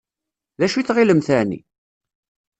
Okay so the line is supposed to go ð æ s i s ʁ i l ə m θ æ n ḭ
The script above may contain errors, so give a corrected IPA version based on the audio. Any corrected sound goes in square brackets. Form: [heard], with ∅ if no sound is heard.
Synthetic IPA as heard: ð æ [ʃ] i [θ] ʁ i l ə m θ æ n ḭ